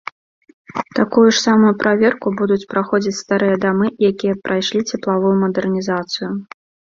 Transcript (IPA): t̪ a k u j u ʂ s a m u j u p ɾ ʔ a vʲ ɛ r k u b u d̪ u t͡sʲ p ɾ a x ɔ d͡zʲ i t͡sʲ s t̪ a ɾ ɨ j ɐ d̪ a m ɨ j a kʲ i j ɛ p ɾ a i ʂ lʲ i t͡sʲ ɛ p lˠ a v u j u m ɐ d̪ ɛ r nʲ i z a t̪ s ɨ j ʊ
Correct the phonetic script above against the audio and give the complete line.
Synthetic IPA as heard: t̪ a k u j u ʂ s a m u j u p ɾ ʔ a vʲ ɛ r k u b u d̪ u t͡sʲ p ɾ a x ɔ d͡zʲ i t͡sʲ s t̪ a ɾ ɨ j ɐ d̪ a m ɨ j a kʲ i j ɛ p ɾ a j ʂ lʲ i t͡sʲ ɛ p lˠ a v u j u m ɐ d̪ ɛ r nʲ i z a t̪ s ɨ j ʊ

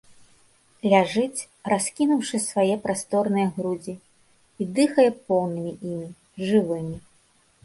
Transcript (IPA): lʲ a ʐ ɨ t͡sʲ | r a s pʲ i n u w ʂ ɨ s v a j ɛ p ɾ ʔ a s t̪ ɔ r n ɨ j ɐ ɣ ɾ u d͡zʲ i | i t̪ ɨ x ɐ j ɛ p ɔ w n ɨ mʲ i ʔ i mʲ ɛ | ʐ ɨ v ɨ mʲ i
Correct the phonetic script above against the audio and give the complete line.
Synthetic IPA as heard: lʲ a ʐ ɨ t͡sʲ | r a s kʲ i n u w ʂ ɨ s v a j ɛ p ɾ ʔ a s t̪ ɔ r n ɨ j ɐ ɣ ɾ u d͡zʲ i | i d̪ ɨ x ɐ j ɛ p ɔ w n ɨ mʲ i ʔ i mʲ i | ʐ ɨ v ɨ mʲ i

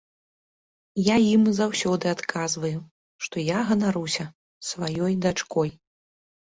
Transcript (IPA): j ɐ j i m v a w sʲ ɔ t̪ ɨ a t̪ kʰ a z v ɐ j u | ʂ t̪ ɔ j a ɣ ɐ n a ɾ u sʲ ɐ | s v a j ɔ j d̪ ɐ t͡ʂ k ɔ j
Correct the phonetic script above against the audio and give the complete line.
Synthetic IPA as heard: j a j i m z a w sʲ ɔ d̪ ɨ a t̪ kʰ a z v ɐ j u | ʂ t̪ ɔ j a ɣ ɐ n a ɾ u sʲ ɐ | s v a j ɔ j d̪ a t͡ʂ k ɔ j

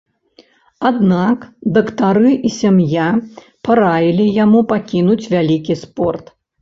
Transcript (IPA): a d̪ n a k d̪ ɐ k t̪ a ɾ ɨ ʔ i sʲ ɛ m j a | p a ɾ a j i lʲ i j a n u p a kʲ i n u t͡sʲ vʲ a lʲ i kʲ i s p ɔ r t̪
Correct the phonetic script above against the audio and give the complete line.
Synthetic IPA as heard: a d̪ n a k d̪ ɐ k t̪ a ɾ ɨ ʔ i sʲ a m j a | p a ɾ a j i lʲ i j a m u p a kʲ i n u t͡sʲ vʲ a lʲ i kʲ i s p ɔ r t̪

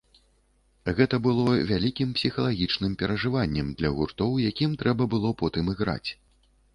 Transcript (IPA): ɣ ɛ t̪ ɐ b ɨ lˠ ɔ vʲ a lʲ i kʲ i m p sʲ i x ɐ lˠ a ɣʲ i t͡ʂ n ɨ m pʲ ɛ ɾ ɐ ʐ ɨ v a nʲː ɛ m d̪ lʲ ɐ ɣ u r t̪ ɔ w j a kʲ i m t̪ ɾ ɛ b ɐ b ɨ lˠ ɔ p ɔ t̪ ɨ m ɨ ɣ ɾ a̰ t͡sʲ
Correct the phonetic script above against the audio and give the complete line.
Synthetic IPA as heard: ɣ ɛ t̪ ɐ b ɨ lˠ ɔ vʲ a lʲ i kʲ i m p sʲ i x ɐ lˠ a ɣʲ i t͡ʂ n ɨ m pʲ ɛ ɾ ɐ ʐ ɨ v a nʲː ɛ m d̪ lʲ ɐ ɣ u r t̪ ɔ w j a kʲ i m t̪ ɾ ɛ b ɐ b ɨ lˠ ɔ p ɔ t̪ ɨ m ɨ ɣ ɾ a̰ t͡sʲ

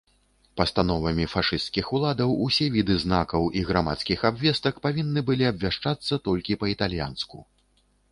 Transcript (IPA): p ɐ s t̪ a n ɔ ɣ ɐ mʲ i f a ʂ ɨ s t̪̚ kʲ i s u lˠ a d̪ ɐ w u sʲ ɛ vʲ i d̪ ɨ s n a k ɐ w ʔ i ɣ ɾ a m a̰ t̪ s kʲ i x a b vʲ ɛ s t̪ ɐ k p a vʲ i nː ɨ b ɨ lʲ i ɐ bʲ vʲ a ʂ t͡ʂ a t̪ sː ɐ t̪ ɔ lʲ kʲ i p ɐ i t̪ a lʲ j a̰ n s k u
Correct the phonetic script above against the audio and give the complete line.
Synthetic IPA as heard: p ɐ s t̪ a n ɔ v ɐ mʲ i f a ʂ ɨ s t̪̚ kʲ i x u lˠ a d̪ ɐ w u sʲ ɛ vʲ i d̪ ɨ z n a k ɐ w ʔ i ɣ ɾ a m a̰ t̪ s kʲ i x a b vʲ ɛ s t̪ ɐ k p a vʲ i nː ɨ b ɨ lʲ i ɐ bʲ vʲ a ʂ t͡ʂ a t̪ sː ɐ t̪ ɔ lʲ kʲ i p ɐ i t̪ a lʲ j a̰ n s k u

